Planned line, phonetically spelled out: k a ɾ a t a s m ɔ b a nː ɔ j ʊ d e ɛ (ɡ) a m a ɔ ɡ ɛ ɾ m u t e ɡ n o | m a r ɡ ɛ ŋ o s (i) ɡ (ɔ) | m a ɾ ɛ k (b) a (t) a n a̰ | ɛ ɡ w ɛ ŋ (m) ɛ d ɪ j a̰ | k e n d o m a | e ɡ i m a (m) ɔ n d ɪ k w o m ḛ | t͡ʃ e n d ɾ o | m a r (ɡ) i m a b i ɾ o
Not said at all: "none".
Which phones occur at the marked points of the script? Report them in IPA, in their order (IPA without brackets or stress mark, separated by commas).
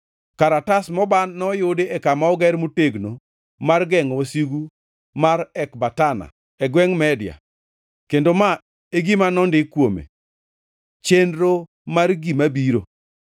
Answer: k, i, u, b, t, m, n, ɡ